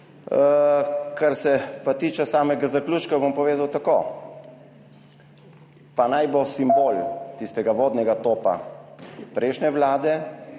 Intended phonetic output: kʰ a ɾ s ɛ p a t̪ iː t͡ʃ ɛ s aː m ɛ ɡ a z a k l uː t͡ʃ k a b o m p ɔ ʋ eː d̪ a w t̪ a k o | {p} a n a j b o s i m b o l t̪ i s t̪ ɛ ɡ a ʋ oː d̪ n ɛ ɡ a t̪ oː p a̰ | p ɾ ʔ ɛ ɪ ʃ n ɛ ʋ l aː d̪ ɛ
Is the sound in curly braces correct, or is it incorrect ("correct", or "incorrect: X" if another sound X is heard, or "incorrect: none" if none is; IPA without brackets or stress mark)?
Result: correct